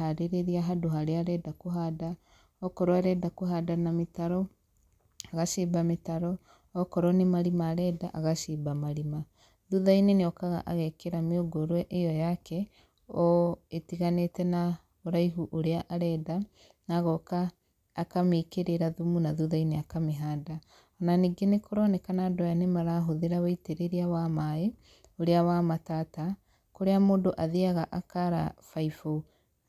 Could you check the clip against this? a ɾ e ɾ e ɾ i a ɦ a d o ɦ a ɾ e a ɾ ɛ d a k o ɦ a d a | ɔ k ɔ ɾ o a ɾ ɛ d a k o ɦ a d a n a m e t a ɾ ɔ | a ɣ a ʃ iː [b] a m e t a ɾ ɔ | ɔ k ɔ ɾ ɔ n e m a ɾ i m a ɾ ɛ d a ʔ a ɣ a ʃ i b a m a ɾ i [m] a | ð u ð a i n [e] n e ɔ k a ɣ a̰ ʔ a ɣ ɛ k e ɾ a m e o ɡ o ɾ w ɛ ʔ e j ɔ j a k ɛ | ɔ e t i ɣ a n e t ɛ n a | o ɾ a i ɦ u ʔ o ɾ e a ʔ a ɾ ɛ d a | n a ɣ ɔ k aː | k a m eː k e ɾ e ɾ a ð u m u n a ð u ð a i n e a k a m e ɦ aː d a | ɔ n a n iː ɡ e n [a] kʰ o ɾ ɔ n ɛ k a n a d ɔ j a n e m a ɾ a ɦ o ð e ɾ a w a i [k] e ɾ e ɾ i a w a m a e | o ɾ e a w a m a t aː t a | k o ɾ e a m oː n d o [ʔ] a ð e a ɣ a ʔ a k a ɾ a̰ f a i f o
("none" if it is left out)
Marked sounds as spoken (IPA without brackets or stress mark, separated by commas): b, m, e, e, t, ʔ